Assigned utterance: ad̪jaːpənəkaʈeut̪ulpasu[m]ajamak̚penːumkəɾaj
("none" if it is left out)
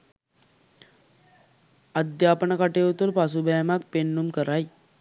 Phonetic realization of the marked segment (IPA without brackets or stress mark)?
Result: b